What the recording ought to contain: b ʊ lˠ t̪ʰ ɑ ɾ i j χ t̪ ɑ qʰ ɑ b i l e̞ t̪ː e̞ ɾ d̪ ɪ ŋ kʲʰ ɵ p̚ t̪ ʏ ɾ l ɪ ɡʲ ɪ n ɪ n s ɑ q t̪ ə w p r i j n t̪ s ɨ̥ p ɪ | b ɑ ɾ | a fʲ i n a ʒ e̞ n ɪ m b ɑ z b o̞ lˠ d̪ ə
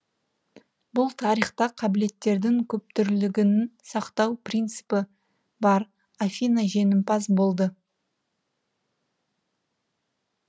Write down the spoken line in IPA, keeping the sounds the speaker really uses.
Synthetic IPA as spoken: b ʊ lˠ t̪ʰ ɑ ɾ i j χ t̪ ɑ qʰ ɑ b ɪ l e̞ t̪ː e̞ ɾ d̪ ɪ ŋ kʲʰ ɵ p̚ t̪ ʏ ɾ l ɪ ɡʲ ɪ n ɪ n s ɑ q t̪ ɑ w p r i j n t̪ s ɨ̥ p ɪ | b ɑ ɾ | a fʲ i n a ʒ e̞ n ɪ m p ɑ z b o̞ lˠ d̪ ə

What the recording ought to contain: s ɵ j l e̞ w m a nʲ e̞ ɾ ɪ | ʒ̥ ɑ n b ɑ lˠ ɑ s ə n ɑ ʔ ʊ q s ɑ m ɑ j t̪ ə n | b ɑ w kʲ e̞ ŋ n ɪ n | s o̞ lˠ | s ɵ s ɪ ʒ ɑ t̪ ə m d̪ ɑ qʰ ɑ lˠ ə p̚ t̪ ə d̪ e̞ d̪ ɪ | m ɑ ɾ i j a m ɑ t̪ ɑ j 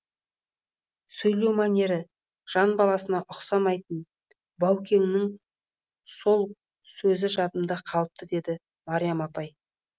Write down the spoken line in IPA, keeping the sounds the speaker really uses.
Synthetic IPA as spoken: s ɵ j l e̞ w m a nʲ e̞ ɾ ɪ | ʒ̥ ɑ n b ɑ lˠ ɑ s ə n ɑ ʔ ʊ q s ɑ m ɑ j t̪ ə n | b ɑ w kʲ e̞ ŋ n ɪ ŋ | s o̞ lˠ | s ɵ z ɪ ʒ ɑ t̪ ə m d̪ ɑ qʰ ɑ lˠ ə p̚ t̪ ə d̪ e̞ d̪ ɪ | m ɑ ɾ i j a m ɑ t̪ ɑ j

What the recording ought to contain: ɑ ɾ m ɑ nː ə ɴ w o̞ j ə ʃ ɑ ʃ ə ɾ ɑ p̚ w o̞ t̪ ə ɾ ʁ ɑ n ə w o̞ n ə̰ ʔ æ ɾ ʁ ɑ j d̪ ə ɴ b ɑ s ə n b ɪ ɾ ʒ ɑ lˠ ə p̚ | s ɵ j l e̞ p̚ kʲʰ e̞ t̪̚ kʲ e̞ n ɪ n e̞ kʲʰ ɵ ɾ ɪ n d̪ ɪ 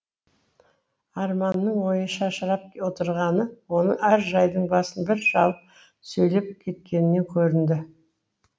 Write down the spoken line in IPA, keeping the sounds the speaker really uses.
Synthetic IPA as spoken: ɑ ɾ m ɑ nː ə ɴ w o̞ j ə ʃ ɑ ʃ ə ɾ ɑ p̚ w o̞ t̪ ə ɾ ʁ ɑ n ə w o̞ n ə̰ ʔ æ ɾ ʒ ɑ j d̪ ə ɴ b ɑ s ə n b ɪ ɾ ʒ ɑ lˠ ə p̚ | s ɵ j l e̞ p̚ kʲʰ e̞ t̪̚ kʲ e̞ n ɪ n e̞ kʲʰ ɵ ɾ ɪ n d̪ ɪ

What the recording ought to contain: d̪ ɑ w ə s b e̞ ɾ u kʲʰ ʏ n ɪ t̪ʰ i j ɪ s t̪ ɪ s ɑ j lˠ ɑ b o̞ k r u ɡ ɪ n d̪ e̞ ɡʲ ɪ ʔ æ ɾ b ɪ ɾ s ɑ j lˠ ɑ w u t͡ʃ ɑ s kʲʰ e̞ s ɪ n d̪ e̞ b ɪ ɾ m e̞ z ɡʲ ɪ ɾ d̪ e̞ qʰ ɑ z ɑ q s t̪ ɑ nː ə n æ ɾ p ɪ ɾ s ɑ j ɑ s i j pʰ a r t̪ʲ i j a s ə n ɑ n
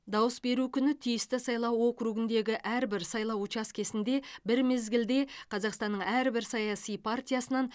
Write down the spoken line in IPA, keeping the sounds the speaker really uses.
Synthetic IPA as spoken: d̪ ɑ w ə s b e̞ ɾ u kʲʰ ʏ n ɪ t̪ʰ i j ɪ s t̪ ɪ s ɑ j lˠ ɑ w o̞ k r u ɡ ɪ n d̪ e̞ ɡʲ ɪ ʔ æ ɾ b ɪ ɾ s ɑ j lˠ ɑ w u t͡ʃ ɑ s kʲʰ e̞ s ɪ n d̪ e̞ b ɪ ɾ m e̞ z ɡʲ ɪ l d̪ e̞ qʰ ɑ z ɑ q s t̪ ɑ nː ə ɴ æ ɾ b ɪ ɾ s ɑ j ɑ s i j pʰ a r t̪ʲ i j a s ə n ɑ n

